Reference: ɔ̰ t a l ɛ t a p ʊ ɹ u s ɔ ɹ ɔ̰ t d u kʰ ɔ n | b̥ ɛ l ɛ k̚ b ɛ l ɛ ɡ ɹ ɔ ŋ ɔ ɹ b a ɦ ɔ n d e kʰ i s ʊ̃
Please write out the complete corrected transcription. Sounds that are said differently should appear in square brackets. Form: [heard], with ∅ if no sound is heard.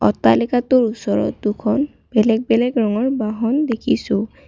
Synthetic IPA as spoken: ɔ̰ t a l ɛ [k] a [t] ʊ ɹ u s ɔ ɹ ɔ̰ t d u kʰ ɔ n | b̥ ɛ l ɛ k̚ b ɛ l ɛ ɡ ɹ ɔ ŋ ɔ ɹ b a ɦ ɔ n d e kʰ i s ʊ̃

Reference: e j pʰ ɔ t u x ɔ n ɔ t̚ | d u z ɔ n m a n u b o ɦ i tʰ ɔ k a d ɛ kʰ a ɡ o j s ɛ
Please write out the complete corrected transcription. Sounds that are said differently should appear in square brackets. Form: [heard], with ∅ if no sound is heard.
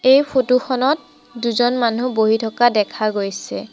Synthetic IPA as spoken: e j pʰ [o] t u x ɔ n ɔ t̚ | d u z ɔ n m a n u b o ɦ i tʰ ɔ k a d ɛ kʰ a ɡ o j s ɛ

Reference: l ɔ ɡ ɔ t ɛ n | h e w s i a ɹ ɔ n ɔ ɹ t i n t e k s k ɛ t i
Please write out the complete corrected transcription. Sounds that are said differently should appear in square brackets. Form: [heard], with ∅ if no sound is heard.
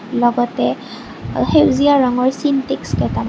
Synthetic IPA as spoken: l ɔ ɡ ɔ t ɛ [∅] | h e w [z] i a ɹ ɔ [ŋ] ɔ ɹ [s] i n t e k s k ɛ t [a]

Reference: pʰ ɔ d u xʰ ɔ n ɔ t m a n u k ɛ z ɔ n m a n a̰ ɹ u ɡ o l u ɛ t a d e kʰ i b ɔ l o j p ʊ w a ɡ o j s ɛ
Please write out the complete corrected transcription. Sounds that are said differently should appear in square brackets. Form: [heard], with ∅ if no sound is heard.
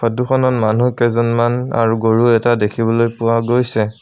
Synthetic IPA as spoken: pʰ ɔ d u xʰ ɔ n ɔ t m a n u k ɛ z ɔ n m a n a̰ ɹ u ɡ o [ɹ] u ɛ t a d e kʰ i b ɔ l o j p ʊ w a ɡ o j s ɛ

